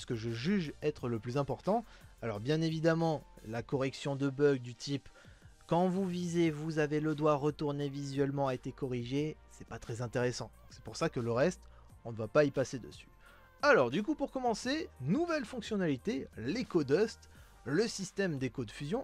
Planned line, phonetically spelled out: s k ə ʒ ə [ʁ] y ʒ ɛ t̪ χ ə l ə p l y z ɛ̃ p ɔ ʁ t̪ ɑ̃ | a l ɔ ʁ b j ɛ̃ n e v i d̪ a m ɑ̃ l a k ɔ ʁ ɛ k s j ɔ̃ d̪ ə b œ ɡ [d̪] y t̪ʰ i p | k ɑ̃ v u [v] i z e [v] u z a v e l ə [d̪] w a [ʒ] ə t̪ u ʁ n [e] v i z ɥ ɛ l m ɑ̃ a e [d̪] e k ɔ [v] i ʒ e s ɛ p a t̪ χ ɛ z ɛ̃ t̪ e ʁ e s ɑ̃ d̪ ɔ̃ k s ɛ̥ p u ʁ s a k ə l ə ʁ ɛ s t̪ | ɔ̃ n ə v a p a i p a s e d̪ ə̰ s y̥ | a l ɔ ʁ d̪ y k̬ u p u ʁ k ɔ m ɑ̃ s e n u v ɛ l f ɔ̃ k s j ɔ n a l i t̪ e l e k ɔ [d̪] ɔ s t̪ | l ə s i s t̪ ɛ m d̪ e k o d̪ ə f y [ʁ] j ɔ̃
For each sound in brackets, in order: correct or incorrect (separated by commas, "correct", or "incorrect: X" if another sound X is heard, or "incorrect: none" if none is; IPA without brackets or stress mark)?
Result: incorrect: ʒ, correct, correct, correct, correct, incorrect: ʁ, correct, incorrect: t̪, incorrect: ʁ, correct, incorrect: z